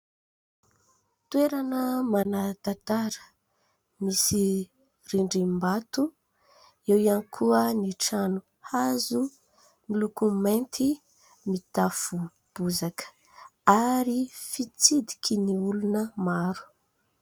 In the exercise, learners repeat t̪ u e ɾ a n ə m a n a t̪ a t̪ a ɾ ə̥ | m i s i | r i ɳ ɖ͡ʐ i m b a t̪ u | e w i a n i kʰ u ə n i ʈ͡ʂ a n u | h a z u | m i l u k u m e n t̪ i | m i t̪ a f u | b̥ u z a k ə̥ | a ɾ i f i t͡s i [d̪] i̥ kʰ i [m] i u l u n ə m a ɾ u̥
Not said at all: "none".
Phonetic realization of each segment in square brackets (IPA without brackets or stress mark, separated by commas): d̪, n